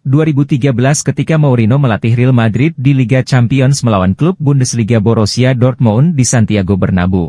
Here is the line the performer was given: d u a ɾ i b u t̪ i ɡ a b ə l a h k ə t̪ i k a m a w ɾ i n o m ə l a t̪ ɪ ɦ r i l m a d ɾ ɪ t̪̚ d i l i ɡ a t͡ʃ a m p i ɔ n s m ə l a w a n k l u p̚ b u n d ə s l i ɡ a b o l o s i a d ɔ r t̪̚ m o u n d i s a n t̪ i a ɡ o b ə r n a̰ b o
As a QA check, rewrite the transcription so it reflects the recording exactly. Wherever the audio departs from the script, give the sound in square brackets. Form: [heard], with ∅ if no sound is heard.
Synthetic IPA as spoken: d u a ɾ i b u t̪ i ɡ a b ə l a [s] k ə t̪ i k a m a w ɾ i n o m ə l a t̪ ɪ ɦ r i l m a d ɾ ɪ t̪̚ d i l i ɡ a t͡ʃ a m p i ɔ n s m ə l a w a n k l u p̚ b u n d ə s l i ɡ a b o [ɾ] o s i a d ɔ r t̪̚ m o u n d i s a n t̪ i a ɡ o b ə r n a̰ b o